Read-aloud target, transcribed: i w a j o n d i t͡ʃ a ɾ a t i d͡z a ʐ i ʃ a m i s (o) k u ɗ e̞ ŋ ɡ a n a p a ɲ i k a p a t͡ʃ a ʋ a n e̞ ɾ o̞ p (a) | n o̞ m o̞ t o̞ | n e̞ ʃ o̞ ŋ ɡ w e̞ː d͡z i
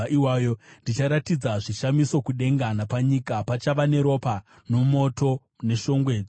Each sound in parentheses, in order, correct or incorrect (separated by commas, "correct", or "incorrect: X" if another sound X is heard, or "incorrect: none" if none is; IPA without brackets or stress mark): correct, correct